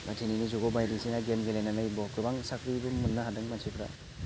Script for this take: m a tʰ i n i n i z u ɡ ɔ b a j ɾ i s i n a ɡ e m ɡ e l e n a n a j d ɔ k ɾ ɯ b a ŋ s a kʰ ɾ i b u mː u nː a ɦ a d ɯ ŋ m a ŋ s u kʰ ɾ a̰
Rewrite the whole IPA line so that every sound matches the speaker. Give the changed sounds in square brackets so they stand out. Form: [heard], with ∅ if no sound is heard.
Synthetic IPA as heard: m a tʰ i n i n i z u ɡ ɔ b a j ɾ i s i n a ɡ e m ɡ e l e n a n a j [b] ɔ k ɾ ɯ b a ŋ s a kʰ ɾ i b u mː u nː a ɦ a d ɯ ŋ m a [n] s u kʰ ɾ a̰